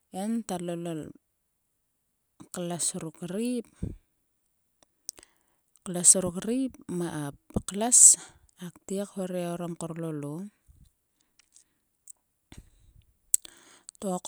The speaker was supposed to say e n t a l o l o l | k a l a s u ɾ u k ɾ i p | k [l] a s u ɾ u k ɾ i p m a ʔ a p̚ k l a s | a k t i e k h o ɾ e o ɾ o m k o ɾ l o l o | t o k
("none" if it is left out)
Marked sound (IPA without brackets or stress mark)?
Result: l